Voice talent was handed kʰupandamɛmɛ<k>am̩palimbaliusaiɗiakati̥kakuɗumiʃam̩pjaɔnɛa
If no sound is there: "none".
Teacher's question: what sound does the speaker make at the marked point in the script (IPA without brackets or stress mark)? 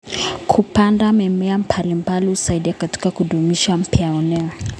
none